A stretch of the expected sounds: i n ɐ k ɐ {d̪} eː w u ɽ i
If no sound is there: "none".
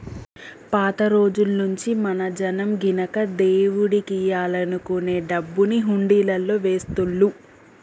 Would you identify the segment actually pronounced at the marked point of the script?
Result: d̪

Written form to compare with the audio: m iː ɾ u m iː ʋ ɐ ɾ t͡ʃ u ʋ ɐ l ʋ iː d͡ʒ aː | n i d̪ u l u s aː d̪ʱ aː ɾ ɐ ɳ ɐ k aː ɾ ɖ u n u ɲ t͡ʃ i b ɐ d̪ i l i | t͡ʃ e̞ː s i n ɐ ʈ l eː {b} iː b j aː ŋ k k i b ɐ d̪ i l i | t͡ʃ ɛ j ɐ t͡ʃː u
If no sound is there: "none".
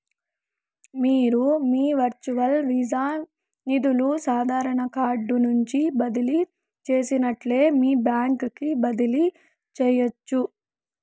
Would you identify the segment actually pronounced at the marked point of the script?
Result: m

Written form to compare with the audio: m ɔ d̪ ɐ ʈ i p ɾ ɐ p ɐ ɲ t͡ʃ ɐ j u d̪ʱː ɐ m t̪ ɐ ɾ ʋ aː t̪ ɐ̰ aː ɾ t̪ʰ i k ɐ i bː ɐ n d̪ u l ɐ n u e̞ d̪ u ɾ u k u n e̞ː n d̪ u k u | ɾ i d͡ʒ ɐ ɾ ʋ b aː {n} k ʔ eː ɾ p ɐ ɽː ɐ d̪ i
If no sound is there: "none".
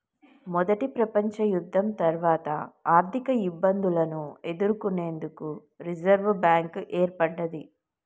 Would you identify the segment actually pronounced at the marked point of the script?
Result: ŋ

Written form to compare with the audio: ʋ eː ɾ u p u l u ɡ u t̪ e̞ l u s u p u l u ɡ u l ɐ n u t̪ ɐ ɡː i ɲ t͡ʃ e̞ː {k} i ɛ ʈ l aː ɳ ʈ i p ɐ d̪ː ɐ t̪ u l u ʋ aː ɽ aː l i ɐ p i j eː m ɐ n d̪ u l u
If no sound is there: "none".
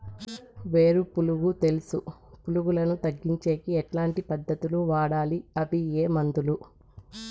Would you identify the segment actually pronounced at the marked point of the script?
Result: k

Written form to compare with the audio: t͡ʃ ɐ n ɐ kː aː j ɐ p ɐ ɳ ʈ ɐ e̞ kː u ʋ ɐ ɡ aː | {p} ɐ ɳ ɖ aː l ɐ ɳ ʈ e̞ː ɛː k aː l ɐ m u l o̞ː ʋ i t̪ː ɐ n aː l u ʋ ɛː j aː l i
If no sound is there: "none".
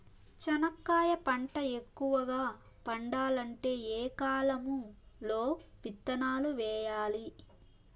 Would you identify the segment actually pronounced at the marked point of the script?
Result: p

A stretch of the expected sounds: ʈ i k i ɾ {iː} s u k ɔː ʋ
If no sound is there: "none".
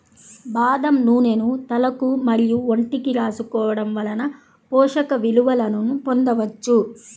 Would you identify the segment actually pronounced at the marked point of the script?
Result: aː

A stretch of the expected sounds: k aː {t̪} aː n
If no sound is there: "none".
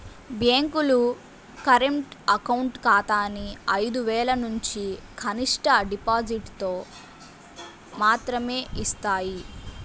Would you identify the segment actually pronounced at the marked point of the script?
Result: t̪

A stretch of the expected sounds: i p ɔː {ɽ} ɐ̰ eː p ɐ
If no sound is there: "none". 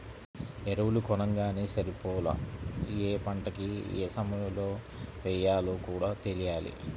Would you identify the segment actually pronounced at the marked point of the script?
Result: l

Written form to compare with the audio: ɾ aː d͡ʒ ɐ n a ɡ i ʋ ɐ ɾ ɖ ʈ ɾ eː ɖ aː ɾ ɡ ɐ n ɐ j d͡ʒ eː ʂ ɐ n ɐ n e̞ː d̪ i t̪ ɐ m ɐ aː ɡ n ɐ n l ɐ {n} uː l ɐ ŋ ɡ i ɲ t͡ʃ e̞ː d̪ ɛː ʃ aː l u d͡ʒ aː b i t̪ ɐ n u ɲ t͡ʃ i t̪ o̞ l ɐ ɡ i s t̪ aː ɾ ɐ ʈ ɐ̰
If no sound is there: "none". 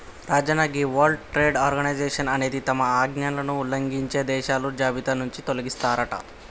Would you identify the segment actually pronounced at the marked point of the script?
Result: n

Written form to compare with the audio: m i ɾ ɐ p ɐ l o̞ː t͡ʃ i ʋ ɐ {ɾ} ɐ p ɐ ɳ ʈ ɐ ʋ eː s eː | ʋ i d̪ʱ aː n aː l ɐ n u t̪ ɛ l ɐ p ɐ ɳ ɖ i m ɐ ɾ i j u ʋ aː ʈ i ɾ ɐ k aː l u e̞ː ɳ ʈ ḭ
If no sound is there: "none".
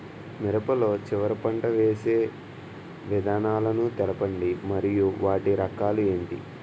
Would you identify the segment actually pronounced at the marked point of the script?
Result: ɾ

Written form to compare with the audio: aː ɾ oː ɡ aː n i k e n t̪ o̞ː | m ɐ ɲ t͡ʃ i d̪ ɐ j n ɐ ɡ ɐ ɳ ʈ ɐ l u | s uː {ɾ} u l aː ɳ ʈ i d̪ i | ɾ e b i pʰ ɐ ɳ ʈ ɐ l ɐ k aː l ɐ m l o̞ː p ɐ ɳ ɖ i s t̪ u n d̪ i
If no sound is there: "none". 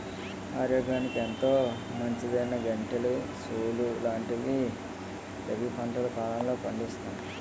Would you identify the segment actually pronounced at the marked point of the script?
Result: l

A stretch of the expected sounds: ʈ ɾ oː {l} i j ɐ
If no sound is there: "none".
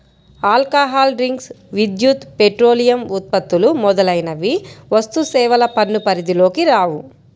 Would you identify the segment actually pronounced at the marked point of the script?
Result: l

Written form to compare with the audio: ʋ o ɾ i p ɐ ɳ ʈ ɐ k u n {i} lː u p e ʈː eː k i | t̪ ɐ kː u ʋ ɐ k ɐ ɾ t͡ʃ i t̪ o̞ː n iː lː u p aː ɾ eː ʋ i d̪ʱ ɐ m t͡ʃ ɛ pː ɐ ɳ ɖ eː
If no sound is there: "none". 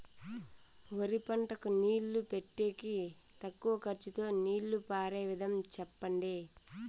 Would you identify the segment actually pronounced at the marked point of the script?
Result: iː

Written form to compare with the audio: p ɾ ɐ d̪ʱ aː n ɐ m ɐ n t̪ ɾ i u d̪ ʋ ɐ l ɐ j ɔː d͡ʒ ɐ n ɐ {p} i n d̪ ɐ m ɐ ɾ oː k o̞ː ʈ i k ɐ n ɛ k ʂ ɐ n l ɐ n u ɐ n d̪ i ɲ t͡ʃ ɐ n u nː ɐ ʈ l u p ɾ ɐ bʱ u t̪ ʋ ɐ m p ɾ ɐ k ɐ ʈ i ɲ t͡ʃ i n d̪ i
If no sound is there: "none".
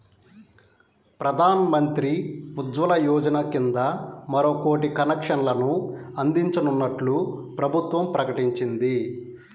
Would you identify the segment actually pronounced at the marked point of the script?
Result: k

